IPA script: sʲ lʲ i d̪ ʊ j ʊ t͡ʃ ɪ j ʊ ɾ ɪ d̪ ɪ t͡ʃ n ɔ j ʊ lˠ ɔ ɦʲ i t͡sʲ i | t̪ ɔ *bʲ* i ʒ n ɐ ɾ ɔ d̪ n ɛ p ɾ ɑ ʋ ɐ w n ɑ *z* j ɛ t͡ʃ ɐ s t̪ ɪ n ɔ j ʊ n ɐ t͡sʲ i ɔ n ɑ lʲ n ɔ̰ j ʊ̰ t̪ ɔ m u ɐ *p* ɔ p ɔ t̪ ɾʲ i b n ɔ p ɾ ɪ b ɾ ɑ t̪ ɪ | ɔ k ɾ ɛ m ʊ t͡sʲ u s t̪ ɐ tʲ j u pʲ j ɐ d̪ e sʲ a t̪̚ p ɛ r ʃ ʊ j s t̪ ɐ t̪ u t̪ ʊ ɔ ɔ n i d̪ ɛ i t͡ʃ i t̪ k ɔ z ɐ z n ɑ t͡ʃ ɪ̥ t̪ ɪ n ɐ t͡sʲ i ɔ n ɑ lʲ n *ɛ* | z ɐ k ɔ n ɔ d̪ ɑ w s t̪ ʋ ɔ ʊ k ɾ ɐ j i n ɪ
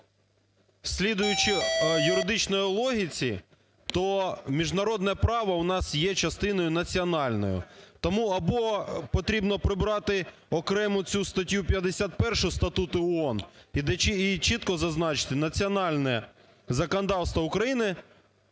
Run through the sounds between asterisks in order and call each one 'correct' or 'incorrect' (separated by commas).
incorrect, incorrect, incorrect, correct